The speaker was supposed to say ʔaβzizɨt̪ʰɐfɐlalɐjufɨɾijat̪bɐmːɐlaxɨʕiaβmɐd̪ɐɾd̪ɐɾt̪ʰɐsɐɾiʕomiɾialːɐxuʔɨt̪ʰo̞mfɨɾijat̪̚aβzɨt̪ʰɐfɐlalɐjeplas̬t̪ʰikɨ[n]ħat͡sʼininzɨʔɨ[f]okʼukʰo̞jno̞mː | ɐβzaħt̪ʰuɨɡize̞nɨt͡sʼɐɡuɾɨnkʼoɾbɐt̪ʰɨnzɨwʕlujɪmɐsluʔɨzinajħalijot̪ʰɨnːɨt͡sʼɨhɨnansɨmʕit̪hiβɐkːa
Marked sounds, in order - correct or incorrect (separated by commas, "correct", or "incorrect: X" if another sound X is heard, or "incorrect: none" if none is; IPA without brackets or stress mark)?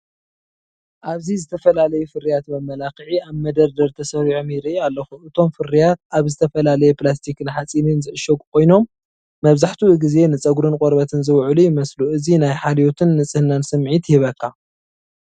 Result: correct, incorrect: ʃ